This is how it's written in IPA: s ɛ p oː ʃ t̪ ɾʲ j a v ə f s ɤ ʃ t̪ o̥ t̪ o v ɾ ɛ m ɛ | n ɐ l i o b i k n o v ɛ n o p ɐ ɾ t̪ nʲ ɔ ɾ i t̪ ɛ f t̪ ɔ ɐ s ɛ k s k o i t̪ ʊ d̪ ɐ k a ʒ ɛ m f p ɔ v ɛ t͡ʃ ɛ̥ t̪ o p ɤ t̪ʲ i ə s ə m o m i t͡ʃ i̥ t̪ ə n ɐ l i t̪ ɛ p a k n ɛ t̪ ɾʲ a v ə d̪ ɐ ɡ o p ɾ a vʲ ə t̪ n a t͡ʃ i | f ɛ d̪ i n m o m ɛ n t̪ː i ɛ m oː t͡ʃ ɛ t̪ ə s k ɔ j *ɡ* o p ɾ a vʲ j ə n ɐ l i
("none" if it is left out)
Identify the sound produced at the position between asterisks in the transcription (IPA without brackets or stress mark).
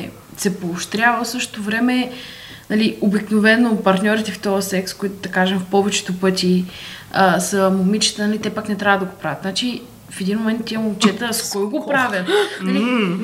ɡ